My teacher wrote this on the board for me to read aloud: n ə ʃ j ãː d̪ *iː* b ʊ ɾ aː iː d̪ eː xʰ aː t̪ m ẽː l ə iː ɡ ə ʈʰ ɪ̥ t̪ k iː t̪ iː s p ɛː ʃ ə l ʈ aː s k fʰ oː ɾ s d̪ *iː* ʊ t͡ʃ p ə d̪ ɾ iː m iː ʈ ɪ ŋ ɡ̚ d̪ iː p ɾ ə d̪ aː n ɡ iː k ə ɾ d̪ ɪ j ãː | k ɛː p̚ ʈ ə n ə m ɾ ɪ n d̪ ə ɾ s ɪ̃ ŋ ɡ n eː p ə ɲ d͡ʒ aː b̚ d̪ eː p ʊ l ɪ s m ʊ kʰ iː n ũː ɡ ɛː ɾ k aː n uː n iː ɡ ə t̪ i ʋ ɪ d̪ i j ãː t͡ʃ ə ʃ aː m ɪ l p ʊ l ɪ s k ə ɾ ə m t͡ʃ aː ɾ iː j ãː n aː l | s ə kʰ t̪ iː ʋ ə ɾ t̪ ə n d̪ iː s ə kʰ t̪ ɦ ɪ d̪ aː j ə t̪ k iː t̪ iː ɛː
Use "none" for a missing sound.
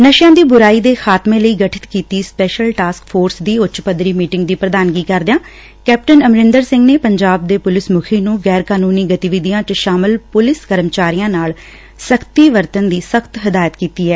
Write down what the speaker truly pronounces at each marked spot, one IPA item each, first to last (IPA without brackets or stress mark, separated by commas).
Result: iː, iː